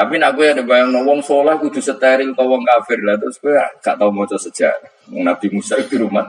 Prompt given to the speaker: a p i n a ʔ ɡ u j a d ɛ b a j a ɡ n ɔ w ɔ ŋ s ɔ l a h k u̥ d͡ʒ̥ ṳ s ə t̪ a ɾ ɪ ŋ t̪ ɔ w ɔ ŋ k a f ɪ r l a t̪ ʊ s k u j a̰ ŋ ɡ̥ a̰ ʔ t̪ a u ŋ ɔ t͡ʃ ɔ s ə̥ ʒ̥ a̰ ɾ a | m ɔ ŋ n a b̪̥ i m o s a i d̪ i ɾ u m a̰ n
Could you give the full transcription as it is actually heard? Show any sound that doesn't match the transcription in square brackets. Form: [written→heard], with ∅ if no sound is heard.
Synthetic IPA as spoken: a p i n a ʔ [ɡ→k] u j a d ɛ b a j a [ɡ→ŋ] n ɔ w ɔ ŋ s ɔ l a h k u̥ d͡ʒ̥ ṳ s ə t̪ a ɾ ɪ ŋ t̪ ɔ w ɔ ŋ k a f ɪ r l a t̪ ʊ s k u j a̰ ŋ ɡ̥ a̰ ʔ t̪ a u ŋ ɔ t͡ʃ ɔ s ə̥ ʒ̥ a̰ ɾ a | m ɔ ŋ n a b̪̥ i m [o→u] s a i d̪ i ɾ u m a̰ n